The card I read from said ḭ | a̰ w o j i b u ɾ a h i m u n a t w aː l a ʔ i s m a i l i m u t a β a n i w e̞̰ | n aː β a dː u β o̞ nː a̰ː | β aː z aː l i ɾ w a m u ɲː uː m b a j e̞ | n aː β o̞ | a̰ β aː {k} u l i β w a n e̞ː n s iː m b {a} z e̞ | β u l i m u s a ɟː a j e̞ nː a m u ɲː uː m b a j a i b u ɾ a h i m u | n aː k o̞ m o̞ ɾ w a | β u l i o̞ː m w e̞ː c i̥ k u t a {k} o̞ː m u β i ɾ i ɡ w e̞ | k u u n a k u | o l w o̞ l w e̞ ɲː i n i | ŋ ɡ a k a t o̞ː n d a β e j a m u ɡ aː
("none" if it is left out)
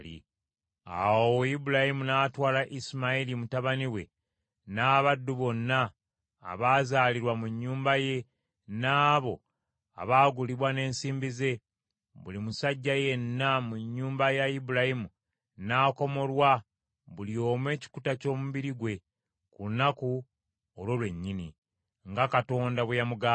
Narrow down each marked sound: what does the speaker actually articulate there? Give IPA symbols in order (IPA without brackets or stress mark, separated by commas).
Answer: ɡ, i, c